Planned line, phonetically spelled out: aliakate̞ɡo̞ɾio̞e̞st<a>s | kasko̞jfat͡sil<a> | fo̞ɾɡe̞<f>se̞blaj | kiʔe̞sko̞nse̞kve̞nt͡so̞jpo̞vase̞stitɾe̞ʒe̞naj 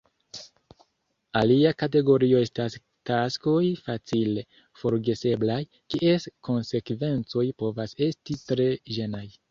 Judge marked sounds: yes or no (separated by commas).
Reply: yes, no, no